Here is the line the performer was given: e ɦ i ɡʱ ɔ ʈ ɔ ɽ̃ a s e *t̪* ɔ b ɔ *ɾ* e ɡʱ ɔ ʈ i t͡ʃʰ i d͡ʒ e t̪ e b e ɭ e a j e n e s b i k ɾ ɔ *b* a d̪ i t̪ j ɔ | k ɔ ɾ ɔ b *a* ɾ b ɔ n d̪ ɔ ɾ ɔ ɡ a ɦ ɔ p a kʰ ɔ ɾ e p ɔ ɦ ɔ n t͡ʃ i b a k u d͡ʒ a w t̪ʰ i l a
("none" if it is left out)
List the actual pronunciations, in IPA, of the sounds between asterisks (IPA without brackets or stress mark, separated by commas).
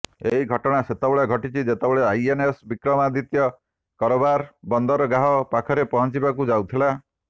t̪, ɭ, m, a